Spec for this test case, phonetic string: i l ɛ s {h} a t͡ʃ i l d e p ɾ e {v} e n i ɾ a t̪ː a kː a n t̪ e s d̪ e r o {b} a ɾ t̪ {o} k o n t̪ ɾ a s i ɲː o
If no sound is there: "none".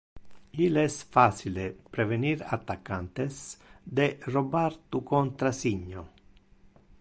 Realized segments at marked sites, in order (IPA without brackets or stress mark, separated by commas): f, v, b, u